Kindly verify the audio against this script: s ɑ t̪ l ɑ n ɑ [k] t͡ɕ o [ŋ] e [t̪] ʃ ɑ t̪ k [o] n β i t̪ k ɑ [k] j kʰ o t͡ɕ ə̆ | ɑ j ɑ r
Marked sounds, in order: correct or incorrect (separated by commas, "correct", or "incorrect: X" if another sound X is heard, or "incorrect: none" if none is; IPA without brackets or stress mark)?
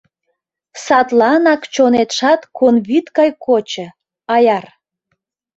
correct, incorrect: n, correct, correct, incorrect: none